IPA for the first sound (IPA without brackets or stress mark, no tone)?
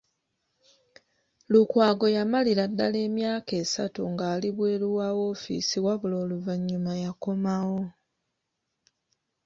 l